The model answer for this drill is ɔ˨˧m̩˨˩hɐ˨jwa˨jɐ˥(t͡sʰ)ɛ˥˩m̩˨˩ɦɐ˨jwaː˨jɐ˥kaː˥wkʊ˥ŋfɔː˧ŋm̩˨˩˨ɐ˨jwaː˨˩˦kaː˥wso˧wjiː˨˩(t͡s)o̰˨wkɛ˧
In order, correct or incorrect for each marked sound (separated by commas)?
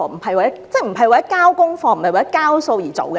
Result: incorrect, correct